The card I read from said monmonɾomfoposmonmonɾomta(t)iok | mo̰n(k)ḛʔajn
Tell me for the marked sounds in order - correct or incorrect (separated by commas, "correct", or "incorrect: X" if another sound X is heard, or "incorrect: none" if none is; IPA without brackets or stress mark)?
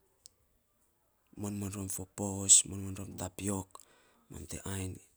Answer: incorrect: p, incorrect: t